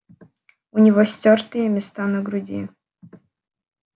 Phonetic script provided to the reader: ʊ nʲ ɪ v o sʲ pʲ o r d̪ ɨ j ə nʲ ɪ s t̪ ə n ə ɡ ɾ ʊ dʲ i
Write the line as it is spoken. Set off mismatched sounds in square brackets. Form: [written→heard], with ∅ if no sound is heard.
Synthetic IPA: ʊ nʲ ɪ v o sʲ [pʲ→tʲ] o r [d̪→t̪] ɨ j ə [nʲ→mʲ] ɪ s t̪ [ə→a] n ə ɡ ɾ ʊ dʲ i